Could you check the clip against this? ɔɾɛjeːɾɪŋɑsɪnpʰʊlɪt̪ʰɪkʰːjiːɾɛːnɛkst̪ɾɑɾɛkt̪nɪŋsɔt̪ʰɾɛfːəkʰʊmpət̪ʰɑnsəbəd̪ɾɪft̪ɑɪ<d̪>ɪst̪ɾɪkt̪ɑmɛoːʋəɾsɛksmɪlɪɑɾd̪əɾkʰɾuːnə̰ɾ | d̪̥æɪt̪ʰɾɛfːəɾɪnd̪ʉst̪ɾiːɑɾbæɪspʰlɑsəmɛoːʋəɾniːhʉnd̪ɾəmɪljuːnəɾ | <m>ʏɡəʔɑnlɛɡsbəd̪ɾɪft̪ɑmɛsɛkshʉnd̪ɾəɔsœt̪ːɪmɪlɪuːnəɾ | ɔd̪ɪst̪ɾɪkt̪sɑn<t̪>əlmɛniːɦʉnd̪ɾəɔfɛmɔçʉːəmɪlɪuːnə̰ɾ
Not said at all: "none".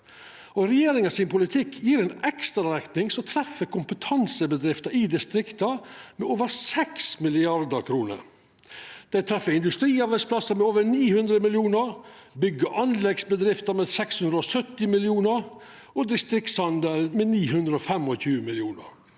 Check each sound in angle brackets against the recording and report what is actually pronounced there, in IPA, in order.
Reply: d̪, b, d̪

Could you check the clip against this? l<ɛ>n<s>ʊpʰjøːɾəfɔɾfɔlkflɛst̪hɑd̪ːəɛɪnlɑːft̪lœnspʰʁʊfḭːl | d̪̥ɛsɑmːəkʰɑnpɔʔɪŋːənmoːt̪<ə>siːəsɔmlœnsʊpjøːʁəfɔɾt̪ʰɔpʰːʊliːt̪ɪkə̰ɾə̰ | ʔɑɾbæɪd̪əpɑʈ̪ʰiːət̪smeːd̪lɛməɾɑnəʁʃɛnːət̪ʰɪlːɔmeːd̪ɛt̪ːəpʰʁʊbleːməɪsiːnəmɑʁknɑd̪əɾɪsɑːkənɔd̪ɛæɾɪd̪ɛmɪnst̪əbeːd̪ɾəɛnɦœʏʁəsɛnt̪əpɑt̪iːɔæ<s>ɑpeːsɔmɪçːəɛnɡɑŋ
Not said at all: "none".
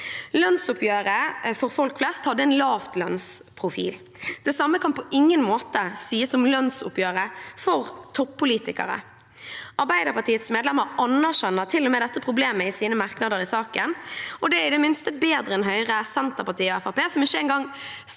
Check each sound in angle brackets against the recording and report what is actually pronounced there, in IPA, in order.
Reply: œ, s, ə, f

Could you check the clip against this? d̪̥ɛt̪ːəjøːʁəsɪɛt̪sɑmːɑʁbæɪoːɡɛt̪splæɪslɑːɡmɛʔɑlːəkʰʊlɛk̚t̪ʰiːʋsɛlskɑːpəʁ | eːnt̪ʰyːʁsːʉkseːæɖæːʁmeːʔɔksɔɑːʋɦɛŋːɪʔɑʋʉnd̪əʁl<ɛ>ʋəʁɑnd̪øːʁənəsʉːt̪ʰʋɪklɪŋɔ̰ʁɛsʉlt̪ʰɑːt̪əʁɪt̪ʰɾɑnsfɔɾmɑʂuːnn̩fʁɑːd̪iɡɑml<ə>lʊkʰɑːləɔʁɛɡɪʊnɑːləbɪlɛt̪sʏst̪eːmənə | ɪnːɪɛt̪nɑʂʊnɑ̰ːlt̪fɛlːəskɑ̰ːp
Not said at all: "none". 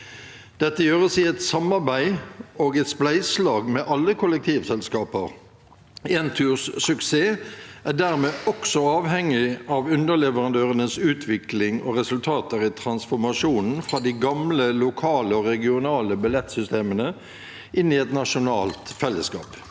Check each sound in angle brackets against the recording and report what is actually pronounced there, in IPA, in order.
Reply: ɛ, ə

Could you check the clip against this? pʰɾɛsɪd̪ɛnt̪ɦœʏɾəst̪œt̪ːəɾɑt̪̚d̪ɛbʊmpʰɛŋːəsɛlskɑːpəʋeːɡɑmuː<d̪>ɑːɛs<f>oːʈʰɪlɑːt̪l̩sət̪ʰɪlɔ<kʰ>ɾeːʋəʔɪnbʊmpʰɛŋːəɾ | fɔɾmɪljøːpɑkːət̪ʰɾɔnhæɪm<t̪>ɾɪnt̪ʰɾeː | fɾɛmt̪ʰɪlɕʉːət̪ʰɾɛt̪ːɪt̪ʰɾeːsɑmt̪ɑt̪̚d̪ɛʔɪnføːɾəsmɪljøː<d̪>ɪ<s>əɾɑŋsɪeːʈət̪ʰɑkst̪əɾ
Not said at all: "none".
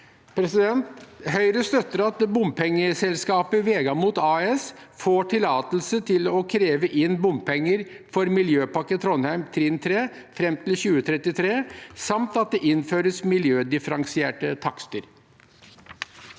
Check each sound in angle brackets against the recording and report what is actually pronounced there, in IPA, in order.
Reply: t̪, f, kʰ, t̪ʰ, d̪, f

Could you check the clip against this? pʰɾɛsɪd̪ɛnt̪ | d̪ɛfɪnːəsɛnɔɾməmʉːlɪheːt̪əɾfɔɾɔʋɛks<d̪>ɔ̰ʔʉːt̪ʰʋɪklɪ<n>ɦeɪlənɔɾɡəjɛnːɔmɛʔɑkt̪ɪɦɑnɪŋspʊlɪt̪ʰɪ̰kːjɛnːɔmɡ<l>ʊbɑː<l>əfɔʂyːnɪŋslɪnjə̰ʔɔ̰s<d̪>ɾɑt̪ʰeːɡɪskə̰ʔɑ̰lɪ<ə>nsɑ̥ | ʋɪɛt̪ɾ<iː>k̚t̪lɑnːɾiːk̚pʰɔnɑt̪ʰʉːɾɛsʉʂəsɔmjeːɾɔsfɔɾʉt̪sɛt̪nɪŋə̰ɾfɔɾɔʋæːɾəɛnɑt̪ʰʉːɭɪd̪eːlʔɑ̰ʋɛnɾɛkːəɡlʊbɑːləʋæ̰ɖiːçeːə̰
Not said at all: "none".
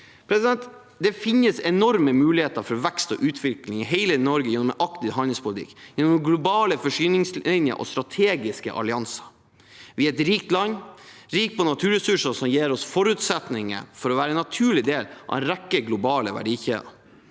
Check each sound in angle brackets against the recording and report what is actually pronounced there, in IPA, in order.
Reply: t̪, ŋ, l, l, t̪, ɑ, iː

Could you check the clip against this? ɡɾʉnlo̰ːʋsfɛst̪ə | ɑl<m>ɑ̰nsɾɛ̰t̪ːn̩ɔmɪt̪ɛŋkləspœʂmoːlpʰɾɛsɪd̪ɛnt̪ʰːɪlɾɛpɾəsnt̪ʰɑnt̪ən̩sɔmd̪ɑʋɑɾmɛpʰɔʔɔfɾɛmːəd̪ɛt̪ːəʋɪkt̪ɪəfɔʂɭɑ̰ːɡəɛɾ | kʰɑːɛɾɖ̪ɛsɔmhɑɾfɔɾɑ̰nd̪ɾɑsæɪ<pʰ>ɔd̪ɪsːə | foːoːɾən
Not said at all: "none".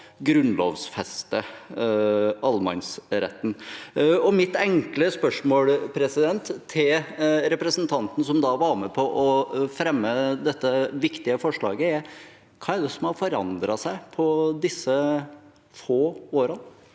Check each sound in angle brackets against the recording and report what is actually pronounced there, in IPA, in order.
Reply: m, pʰ

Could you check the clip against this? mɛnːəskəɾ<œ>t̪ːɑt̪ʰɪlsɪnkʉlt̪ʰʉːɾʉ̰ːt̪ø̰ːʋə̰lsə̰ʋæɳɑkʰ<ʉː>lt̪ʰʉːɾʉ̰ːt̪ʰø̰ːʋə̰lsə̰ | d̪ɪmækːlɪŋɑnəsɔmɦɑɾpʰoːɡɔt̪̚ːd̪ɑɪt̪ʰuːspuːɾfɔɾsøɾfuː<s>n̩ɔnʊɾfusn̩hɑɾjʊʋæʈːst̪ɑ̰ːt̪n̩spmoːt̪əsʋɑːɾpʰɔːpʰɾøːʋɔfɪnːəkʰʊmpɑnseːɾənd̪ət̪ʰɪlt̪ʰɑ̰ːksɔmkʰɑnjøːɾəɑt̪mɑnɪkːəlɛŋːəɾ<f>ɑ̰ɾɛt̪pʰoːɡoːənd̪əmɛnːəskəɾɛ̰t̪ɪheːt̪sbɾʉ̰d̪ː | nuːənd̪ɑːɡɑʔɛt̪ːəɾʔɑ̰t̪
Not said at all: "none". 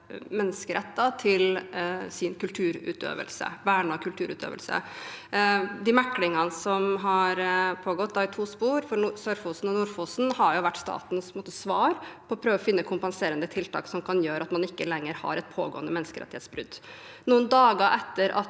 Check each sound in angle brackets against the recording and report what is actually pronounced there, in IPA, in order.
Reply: ɛ, ʉ, s, h

